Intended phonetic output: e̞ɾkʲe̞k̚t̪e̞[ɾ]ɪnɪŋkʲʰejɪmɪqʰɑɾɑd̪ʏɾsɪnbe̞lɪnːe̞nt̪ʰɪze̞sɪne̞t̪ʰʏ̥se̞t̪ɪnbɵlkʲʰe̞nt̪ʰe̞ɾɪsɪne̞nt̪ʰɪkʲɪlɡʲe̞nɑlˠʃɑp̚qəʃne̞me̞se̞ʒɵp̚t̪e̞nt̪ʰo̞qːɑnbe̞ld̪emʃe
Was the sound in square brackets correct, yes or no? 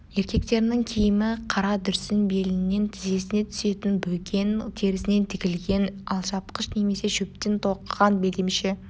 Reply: yes